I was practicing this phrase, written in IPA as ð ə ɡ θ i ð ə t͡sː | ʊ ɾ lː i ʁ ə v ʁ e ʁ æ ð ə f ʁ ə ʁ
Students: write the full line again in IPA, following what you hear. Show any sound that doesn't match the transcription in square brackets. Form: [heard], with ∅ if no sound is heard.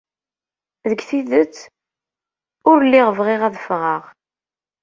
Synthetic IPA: ð ə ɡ θ i ð ə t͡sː | ʊ ɾ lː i ʁ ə v ʁ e ʁ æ ð ə f ʁ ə ʁ